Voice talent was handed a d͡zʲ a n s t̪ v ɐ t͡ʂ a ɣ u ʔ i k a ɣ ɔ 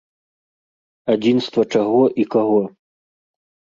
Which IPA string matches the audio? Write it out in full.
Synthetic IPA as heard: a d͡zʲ i n s t̪ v ɐ t͡ʂ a ɣ ɔ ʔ i k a ɣ ɔ